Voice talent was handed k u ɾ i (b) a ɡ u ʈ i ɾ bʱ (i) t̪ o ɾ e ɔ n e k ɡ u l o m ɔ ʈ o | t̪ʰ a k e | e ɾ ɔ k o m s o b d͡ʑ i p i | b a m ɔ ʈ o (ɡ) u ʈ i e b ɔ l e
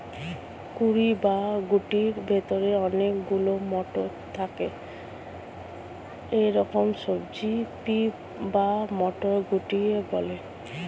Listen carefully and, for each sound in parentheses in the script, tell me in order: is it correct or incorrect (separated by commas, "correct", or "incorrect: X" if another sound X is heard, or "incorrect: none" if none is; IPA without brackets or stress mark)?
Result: correct, incorrect: e, correct